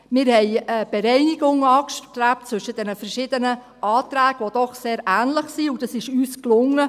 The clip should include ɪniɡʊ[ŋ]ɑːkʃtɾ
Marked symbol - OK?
yes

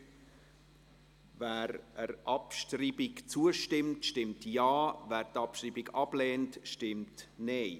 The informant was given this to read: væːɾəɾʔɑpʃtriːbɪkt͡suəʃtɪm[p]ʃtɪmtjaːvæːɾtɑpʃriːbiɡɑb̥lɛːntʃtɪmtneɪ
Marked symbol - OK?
no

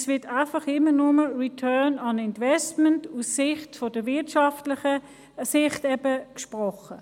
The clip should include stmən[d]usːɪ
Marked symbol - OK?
no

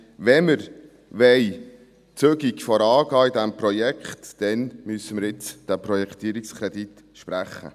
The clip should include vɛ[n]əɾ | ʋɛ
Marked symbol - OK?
no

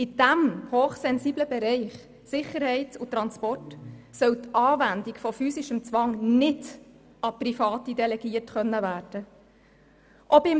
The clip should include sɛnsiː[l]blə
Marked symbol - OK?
no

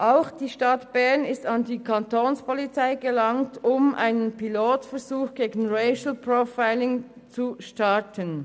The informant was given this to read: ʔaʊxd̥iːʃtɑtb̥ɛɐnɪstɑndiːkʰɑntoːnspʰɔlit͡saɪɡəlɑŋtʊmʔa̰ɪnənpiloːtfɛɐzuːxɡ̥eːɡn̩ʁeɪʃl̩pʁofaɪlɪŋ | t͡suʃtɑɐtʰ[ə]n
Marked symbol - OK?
yes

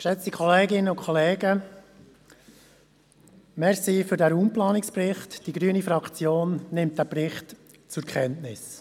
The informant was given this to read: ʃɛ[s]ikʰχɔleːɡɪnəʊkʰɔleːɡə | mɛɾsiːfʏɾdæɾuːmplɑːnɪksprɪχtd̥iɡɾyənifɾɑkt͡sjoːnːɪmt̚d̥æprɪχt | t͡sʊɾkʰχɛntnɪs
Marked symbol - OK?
no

